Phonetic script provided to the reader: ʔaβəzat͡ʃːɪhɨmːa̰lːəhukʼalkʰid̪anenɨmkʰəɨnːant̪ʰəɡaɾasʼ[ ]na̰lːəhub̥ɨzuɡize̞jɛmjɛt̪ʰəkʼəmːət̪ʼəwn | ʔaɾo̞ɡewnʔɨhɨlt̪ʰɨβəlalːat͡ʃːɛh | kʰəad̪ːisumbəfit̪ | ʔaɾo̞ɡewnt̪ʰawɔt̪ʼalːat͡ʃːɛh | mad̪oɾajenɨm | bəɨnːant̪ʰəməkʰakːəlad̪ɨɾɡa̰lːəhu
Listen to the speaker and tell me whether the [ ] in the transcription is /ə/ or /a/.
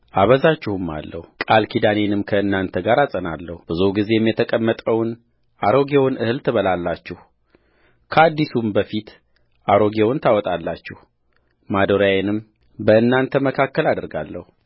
ə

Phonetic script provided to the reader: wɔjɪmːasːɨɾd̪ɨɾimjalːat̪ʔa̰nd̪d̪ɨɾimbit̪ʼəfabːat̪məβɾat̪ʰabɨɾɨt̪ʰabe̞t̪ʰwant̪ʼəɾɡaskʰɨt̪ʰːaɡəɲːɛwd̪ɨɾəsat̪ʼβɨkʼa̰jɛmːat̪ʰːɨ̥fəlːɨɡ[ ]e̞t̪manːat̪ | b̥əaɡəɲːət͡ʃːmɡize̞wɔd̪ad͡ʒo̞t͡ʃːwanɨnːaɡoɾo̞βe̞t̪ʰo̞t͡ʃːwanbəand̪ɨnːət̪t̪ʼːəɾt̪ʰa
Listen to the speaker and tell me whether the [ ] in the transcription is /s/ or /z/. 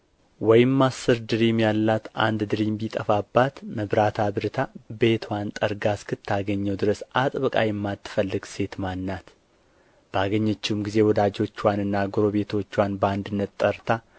s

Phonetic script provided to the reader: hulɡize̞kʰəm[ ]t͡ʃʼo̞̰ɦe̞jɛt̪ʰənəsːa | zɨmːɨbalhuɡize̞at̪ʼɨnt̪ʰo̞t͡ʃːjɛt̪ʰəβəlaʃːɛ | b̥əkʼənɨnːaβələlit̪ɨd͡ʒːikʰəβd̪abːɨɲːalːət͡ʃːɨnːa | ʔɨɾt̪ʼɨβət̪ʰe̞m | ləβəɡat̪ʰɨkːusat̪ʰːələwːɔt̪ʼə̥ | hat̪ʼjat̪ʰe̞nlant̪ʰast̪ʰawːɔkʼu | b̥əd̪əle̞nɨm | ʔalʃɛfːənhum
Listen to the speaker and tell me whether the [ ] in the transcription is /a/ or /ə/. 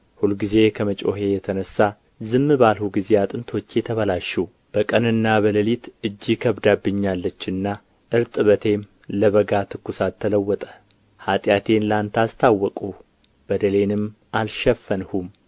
ə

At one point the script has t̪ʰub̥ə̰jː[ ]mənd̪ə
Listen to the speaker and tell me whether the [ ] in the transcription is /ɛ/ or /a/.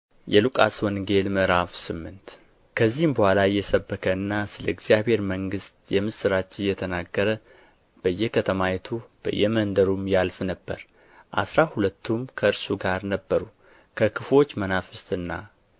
ɛ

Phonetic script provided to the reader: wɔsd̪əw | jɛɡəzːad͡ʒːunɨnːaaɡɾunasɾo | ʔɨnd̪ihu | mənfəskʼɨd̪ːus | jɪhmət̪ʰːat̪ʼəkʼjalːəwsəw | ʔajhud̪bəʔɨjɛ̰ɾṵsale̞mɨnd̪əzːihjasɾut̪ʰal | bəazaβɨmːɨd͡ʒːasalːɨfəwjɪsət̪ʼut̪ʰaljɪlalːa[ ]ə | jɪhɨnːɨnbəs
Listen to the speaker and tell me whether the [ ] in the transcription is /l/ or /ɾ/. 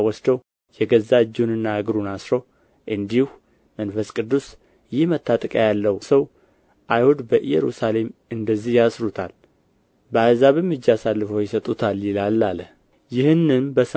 l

